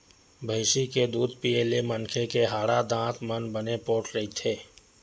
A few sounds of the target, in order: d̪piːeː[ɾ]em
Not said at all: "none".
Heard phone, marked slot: l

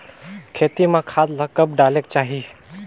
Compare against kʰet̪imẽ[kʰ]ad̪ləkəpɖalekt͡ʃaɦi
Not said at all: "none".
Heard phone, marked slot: kʰ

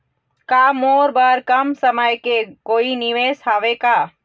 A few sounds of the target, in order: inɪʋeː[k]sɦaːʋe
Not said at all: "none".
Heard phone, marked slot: none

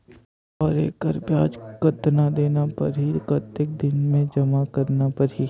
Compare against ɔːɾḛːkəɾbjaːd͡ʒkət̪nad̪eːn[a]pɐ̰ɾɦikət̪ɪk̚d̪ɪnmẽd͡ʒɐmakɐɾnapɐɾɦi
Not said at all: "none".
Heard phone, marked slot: a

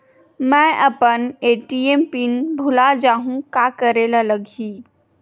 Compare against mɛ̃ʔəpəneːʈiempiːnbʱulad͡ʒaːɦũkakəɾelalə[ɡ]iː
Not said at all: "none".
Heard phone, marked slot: ɡ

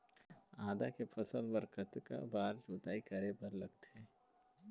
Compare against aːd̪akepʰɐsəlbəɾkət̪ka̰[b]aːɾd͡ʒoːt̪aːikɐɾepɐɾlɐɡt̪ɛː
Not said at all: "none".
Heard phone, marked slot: b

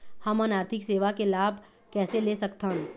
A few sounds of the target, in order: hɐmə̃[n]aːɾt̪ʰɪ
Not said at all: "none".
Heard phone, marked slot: n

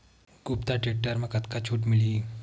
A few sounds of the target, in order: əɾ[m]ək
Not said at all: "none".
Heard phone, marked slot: m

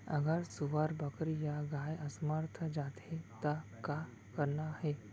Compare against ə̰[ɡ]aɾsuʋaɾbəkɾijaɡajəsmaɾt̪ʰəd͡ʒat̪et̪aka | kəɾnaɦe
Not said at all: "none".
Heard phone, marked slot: ɡ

